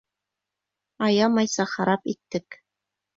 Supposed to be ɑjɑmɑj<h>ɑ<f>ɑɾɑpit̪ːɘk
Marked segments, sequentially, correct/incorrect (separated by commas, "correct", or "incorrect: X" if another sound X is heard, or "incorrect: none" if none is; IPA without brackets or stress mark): incorrect: s, incorrect: χ